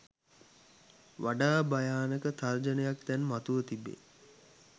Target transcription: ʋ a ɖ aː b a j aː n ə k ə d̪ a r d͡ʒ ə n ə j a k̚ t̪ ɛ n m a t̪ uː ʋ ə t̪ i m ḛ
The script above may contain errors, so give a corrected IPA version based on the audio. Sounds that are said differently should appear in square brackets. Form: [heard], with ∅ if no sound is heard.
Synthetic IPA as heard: ʋ a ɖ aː b a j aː n ə k ə [t̪] a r d͡ʒ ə n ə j a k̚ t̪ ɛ n m a t̪ [u] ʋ ə t̪ i [b] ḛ